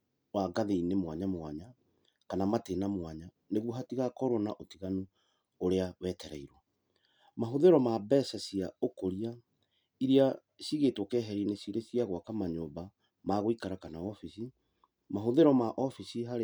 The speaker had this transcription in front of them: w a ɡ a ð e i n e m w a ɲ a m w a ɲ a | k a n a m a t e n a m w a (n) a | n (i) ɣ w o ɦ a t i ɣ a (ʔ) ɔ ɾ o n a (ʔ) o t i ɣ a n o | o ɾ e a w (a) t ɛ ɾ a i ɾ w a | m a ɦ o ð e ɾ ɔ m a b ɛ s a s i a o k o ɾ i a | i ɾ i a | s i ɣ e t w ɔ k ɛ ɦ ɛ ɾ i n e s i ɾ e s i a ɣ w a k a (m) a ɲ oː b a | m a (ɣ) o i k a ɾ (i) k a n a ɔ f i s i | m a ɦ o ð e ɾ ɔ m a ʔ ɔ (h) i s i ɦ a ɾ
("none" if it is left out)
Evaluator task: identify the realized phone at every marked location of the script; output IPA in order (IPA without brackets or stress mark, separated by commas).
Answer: ɲ, e, k, ʔ, ɛ, m, ɣ, a, f